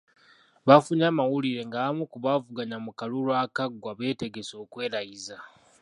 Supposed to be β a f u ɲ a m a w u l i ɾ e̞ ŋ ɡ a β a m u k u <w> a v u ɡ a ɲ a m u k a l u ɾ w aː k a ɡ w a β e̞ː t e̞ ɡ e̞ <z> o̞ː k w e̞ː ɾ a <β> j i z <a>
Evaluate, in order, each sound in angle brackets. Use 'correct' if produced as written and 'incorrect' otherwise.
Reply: incorrect: β, incorrect: s, incorrect: none, correct

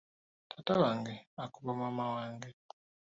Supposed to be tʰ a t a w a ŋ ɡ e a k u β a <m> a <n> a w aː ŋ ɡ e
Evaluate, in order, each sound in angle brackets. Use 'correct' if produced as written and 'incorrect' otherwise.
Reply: correct, incorrect: m

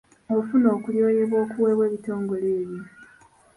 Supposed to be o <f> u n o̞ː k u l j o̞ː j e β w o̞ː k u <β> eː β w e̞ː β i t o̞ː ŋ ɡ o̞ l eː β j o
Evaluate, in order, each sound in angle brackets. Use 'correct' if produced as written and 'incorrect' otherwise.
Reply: correct, incorrect: w

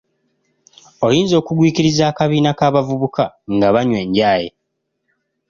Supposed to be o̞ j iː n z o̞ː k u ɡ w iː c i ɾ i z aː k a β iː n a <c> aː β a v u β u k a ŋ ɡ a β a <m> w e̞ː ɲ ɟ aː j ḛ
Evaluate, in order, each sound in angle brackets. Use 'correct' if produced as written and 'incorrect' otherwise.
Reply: incorrect: k, incorrect: ɲ

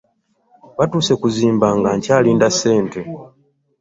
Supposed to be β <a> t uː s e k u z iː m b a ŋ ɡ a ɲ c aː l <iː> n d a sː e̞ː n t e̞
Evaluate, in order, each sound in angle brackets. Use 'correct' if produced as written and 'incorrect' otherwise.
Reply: correct, correct

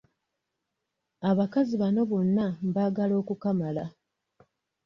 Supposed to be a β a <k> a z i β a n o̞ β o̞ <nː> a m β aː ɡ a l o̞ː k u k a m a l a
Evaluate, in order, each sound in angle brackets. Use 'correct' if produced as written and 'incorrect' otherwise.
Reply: correct, correct

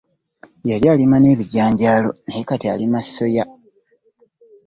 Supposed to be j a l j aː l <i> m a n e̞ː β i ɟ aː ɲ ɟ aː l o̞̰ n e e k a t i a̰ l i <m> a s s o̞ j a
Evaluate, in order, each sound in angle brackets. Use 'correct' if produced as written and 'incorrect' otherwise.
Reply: correct, correct

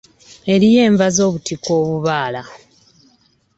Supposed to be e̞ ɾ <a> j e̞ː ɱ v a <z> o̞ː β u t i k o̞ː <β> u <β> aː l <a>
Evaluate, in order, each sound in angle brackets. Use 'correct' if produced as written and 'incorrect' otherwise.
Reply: incorrect: i, correct, correct, correct, correct

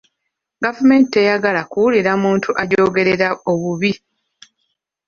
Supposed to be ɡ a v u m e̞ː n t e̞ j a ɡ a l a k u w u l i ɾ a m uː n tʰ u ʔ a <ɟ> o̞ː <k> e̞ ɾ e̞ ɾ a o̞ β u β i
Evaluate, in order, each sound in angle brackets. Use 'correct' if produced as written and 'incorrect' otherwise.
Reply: correct, incorrect: ɡ

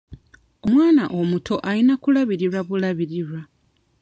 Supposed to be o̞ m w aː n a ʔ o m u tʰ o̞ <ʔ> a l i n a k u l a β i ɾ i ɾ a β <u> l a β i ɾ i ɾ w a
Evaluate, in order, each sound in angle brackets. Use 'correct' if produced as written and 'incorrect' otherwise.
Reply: correct, correct

